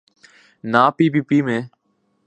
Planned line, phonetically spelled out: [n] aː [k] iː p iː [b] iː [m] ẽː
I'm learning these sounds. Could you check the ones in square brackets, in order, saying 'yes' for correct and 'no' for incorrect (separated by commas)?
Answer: yes, no, no, yes